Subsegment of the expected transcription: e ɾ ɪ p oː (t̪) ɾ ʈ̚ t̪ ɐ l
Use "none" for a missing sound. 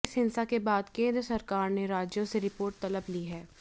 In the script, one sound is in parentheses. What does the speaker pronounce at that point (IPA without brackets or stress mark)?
none